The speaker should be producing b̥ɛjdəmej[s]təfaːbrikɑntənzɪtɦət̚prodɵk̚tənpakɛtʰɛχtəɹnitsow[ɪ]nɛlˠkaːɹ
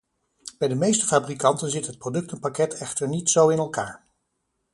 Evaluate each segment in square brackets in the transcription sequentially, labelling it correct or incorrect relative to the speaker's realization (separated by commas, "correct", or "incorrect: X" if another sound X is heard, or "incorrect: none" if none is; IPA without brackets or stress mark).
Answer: correct, correct